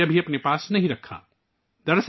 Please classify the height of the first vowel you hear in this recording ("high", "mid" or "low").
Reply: low